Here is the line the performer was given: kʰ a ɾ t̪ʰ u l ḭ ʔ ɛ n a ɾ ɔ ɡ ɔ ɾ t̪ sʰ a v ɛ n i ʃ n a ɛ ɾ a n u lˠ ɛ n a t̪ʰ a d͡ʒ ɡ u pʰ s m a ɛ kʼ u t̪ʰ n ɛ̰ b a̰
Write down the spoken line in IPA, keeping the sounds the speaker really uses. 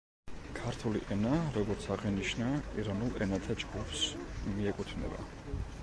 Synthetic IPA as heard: kʰ a ɾ t̪ʰ u l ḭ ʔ ɛ n a ɾ ɔ ɡ ɔ ɾ t̪ sʰ a ʁ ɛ n i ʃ n a i ɾ a n u lˠ ɛ n a t̪ʰ a d͡ʒ ɡ u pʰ s m i ɛ kʼ u t̪ʰ n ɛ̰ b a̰